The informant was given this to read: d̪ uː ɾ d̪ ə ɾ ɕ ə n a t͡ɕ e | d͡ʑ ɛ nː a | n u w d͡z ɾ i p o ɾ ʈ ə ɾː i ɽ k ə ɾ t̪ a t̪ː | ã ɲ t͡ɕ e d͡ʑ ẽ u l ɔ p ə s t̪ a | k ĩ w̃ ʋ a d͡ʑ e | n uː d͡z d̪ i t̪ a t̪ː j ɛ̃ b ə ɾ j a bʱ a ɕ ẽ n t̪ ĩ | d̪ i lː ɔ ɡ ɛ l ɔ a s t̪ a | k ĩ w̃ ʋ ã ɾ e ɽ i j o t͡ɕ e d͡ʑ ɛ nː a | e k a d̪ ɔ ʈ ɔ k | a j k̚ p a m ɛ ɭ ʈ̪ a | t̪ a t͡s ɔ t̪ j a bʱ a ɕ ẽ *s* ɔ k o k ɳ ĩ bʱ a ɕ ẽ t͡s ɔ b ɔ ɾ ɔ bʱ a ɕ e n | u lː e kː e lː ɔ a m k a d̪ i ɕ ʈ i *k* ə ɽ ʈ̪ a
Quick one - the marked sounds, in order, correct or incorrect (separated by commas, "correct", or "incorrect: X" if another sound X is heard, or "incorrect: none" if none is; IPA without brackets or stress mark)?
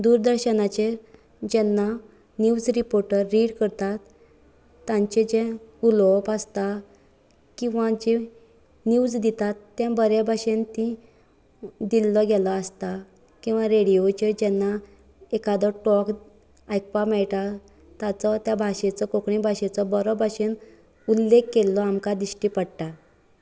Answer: incorrect: t͡s, incorrect: p